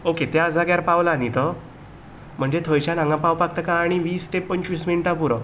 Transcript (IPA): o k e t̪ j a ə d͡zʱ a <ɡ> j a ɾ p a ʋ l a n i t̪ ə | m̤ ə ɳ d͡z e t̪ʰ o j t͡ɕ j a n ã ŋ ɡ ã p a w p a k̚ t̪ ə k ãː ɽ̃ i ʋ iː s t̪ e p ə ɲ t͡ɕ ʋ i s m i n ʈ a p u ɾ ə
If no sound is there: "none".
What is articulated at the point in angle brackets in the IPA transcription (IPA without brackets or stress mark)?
ɡ